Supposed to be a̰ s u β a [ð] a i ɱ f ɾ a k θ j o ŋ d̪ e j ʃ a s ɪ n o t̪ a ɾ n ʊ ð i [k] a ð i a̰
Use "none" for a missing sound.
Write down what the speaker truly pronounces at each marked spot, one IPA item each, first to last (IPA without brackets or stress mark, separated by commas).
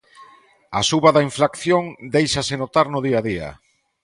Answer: ð, none